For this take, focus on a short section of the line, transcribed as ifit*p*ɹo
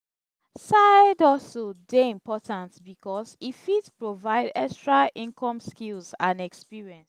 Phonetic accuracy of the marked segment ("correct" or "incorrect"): correct